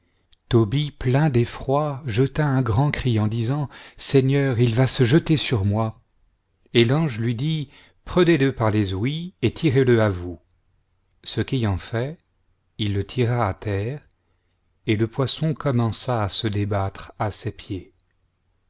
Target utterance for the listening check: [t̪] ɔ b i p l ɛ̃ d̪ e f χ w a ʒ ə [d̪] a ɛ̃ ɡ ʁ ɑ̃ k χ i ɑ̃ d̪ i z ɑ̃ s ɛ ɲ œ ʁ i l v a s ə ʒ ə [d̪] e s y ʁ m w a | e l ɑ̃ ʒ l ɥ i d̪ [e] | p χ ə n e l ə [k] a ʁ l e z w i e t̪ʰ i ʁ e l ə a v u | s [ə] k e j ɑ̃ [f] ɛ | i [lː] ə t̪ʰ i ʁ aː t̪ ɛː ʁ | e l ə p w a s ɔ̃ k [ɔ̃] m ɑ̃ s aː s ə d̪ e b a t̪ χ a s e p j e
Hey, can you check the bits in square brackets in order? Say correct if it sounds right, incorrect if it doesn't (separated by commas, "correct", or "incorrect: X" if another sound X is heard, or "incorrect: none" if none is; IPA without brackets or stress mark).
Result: correct, incorrect: t̪, incorrect: t̪, incorrect: i, incorrect: p, correct, correct, correct, incorrect: ɔ